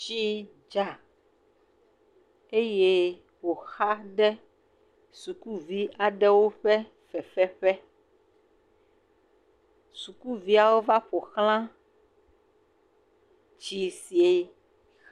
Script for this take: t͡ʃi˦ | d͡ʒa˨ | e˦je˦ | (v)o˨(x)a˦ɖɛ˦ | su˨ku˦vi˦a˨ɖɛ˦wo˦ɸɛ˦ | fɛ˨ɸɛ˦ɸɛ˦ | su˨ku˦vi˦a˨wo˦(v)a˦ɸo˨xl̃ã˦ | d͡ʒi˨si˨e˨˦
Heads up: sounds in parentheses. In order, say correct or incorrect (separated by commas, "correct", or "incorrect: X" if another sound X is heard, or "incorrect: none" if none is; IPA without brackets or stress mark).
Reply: incorrect: w, correct, correct